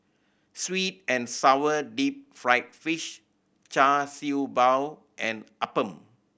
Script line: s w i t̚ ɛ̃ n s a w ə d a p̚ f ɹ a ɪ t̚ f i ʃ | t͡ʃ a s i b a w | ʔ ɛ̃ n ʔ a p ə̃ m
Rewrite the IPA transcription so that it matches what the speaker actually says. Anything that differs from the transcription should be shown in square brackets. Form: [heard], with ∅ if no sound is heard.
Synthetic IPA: s w i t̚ ɛ̃ n s a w ə d [i] p̚ f ɹ a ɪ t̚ f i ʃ | t͡ʃ a s i b a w | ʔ ɛ̃ n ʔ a p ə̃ m